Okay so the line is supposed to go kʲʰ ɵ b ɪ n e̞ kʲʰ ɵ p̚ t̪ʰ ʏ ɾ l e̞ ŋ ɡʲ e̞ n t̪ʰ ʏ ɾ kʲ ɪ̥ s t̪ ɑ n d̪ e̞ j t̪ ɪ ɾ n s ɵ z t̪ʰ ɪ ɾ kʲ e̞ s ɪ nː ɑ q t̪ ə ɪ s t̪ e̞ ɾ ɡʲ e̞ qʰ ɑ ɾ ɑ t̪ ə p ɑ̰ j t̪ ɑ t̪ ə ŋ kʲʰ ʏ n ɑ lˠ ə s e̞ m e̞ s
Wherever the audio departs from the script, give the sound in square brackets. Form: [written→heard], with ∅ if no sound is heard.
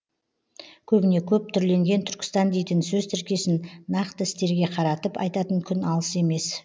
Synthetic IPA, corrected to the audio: kʲʰ ɵ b ɪ n e̞ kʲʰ ɵ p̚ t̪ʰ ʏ ɾ l e̞ ŋ ɡʲ e̞ n t̪ʰ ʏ ɾ kʲ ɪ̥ s t̪ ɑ n d̪ e̞ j t̪ ɪ [ɾ→∅] n s ɵ z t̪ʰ ɪ ɾ kʲ e̞ s ɪ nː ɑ q t̪ ə ɪ s t̪ e̞ ɾ ɡʲ e̞ qʰ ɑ ɾ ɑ t̪ ə p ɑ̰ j t̪ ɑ t̪ ə ŋ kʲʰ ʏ n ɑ lˠ ə s e̞ m e̞ s